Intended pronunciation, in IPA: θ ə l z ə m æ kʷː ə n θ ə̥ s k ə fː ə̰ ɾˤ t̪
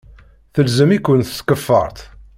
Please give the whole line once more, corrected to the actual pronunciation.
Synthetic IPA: θ ə l z ə m i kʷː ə n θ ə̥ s k ə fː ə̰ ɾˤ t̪